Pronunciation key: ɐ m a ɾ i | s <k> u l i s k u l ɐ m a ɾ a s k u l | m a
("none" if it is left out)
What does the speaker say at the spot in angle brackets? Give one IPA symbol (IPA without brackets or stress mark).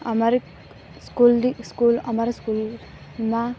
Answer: k